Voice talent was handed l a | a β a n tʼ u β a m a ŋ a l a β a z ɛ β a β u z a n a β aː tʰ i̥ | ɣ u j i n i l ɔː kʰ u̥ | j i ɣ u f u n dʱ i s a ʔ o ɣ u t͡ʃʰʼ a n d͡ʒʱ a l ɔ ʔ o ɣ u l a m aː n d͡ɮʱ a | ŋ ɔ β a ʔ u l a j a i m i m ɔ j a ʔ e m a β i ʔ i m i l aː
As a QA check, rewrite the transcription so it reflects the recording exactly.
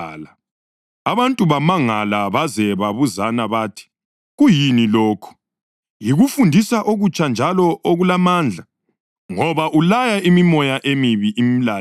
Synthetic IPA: l a | a β a n tʼ u β a m a ŋ a l a β a z ɛ β a β u z a n a β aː tʰ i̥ | ɣ u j i n i l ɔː kʰ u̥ | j i ɣ u f u n dʱ i s a ʔ o ɣ u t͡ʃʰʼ a n d͡ʒʱ a l ɔ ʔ o ɣ u l a m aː n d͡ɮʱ a | ŋ ɔ β a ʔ u l a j a i m i m ɔ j a ʔ e m i β i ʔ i m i l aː